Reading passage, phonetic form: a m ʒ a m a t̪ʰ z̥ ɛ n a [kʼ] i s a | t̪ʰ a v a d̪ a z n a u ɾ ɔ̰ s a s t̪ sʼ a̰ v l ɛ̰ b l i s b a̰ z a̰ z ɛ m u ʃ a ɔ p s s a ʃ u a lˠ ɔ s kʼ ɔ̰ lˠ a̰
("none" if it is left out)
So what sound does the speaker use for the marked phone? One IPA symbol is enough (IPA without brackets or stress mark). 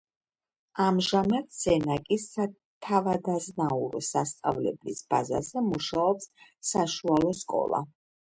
kʼ